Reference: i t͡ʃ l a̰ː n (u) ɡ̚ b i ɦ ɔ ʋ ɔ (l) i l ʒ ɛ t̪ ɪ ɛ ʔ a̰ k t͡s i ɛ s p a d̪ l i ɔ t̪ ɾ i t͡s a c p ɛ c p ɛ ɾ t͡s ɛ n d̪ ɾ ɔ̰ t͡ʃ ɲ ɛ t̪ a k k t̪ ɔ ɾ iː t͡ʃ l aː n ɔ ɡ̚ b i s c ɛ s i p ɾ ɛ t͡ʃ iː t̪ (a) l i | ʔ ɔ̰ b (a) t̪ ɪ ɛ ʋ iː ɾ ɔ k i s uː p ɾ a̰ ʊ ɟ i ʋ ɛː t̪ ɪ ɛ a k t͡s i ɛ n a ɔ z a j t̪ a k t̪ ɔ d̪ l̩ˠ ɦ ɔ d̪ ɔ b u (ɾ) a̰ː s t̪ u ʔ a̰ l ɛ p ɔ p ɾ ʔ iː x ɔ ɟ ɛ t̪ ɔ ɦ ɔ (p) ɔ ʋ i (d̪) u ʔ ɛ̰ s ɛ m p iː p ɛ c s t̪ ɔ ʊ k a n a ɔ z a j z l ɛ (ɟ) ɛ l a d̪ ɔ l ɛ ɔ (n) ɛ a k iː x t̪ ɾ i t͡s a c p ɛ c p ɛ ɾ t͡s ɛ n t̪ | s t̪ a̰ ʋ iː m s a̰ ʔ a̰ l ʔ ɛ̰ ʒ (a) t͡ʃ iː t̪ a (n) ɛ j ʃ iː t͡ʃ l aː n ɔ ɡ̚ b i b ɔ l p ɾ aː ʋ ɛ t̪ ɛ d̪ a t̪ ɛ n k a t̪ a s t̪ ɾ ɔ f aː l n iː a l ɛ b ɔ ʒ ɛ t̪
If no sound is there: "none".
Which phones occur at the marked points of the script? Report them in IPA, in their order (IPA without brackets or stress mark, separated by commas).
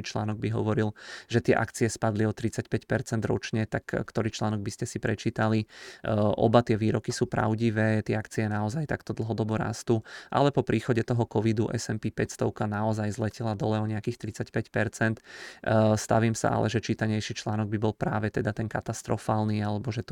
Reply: ɔ, ɾ, a, a, ɾ, k, d̪, c, ɲ, ɛ, ɲ